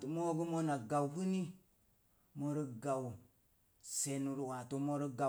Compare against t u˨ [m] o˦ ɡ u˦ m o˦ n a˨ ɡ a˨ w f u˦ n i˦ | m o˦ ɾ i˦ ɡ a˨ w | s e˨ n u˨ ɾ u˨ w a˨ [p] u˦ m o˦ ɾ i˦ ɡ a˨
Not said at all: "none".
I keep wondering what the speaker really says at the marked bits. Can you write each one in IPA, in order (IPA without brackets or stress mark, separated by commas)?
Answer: m, t